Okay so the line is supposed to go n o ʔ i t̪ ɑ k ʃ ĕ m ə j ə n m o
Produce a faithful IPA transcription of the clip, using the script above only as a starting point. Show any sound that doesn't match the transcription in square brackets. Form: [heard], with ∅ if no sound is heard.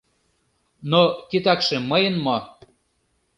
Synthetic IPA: n o [k] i t̪ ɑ k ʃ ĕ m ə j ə n m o